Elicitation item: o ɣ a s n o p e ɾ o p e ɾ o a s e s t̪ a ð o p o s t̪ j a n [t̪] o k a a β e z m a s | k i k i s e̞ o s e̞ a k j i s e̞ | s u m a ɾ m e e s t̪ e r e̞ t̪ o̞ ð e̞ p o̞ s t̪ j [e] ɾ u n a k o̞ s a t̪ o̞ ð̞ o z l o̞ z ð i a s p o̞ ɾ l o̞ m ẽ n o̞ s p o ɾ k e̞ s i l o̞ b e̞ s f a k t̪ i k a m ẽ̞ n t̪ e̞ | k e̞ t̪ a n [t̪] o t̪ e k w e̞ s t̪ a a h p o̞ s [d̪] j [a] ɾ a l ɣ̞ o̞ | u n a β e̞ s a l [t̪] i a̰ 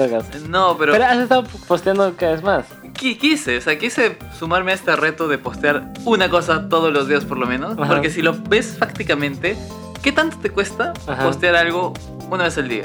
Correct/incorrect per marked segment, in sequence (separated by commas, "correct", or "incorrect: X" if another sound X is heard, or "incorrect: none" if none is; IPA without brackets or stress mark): incorrect: d̪, incorrect: a, correct, incorrect: t̪, correct, incorrect: d̪